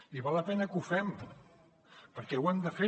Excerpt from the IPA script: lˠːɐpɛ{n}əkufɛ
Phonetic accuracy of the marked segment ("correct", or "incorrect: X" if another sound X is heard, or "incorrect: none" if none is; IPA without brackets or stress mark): correct